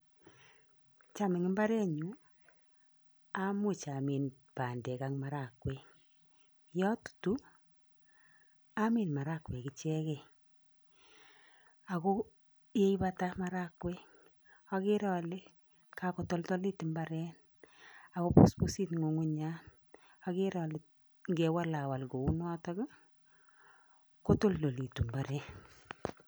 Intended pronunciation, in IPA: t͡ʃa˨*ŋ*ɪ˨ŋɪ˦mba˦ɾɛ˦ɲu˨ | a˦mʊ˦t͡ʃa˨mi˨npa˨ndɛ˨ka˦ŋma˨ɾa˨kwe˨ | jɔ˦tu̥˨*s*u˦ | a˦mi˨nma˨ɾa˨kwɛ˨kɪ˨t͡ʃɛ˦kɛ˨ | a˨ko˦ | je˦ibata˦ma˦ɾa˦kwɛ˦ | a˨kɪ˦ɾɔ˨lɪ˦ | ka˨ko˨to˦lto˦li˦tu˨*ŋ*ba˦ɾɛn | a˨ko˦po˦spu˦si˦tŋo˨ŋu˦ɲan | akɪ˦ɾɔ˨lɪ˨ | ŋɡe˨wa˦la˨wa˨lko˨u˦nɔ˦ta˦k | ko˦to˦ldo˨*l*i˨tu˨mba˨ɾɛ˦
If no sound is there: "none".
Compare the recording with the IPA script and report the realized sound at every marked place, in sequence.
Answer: m, t, m, l

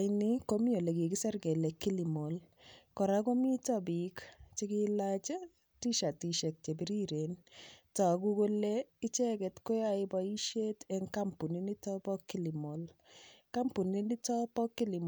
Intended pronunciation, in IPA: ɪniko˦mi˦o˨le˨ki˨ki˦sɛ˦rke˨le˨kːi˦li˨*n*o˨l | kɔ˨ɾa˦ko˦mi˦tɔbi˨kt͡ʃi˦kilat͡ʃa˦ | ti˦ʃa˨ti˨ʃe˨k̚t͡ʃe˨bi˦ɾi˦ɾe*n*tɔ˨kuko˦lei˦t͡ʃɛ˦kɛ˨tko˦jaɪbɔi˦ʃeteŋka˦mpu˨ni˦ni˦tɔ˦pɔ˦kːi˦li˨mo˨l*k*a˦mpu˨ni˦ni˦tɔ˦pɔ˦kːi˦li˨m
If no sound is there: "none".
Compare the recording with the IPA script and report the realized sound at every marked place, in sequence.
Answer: m, n, k

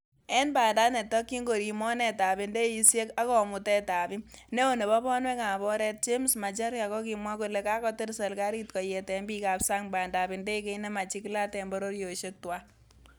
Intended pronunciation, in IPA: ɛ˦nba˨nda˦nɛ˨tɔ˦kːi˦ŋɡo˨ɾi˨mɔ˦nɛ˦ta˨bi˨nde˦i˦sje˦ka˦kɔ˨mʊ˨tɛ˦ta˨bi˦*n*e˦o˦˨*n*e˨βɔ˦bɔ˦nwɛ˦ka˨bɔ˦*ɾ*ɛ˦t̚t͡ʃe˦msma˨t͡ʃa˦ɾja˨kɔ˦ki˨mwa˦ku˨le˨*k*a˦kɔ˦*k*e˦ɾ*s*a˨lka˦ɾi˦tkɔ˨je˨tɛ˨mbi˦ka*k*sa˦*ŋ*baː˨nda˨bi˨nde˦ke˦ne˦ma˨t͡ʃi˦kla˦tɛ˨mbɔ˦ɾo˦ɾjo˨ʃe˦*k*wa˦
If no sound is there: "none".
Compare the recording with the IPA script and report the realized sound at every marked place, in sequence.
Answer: n, n, ɾ, k, t, s, p, ŋ, t

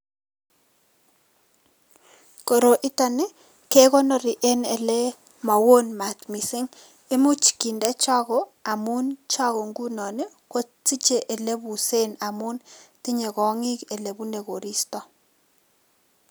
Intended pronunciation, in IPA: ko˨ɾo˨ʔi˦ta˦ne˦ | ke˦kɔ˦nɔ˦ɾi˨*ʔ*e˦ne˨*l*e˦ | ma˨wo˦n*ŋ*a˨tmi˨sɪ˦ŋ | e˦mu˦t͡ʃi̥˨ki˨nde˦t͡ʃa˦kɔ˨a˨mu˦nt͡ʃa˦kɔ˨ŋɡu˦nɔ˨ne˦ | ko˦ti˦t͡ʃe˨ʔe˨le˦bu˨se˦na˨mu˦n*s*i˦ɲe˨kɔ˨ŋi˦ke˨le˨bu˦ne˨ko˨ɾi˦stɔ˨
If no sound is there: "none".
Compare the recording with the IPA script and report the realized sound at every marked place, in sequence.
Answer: ʔ, l, m, t

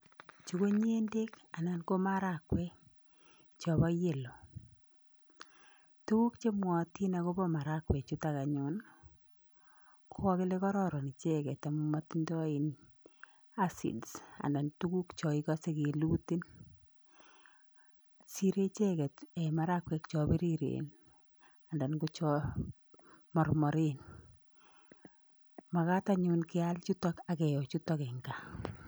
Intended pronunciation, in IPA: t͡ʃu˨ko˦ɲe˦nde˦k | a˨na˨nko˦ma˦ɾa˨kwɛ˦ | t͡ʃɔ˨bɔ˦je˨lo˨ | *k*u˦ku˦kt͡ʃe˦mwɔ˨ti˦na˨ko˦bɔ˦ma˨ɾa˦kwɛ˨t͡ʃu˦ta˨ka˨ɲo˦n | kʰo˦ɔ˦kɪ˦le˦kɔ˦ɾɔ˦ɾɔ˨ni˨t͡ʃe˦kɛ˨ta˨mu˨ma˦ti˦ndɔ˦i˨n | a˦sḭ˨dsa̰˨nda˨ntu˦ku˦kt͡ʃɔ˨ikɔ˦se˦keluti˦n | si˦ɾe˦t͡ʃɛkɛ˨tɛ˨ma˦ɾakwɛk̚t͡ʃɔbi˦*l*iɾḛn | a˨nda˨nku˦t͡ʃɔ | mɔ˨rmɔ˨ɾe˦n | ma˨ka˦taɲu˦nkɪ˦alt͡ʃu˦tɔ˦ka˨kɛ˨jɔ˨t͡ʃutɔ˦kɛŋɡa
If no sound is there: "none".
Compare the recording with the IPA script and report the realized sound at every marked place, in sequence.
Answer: t, ɾ

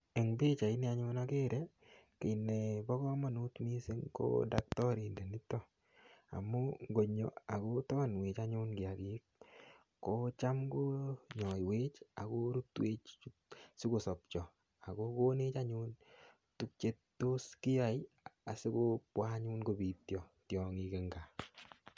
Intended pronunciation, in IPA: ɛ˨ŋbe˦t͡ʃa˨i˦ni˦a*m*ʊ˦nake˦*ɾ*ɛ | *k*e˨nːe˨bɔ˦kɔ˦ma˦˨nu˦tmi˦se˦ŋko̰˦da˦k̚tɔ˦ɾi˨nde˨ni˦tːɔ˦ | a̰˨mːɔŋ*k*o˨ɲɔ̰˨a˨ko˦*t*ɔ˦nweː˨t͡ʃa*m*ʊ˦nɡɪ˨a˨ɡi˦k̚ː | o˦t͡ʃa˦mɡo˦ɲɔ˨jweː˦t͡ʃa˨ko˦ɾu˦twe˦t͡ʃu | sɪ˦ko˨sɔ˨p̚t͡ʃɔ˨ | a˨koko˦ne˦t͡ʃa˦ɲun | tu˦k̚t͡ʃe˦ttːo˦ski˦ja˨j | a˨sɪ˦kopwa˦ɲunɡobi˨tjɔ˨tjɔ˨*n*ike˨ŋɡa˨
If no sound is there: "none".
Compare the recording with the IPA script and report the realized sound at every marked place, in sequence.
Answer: ɲ, ɾ, k, ɡ, t, ɲ, ŋ

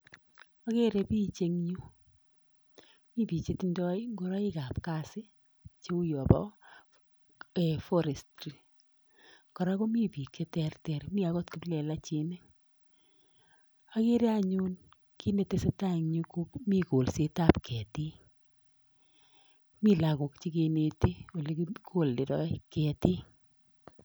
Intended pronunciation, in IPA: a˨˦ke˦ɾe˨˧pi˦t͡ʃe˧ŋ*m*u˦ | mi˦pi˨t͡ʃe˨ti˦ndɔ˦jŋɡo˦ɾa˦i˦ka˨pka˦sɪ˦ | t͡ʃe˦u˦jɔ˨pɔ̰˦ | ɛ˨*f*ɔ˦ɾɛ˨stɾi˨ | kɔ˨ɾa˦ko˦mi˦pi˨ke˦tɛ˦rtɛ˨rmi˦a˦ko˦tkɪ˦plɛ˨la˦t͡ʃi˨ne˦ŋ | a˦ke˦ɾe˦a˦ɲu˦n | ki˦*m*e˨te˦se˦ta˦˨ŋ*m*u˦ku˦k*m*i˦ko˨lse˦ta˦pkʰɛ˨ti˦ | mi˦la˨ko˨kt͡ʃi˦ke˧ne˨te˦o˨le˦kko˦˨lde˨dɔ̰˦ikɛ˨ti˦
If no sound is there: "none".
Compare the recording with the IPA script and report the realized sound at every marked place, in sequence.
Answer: ɲ, f, n, ɲ, m

